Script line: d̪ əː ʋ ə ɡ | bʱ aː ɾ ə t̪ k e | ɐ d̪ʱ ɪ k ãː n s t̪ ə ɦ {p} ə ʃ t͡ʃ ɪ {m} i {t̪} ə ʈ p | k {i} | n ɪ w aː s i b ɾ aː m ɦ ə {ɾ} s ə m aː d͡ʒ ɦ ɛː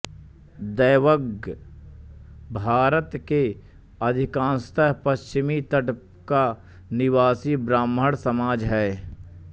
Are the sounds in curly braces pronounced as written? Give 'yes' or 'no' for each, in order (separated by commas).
yes, yes, yes, no, no